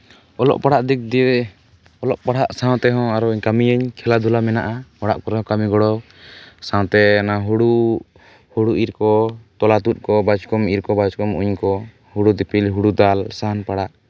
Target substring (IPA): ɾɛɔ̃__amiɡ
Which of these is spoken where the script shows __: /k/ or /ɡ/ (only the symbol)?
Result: k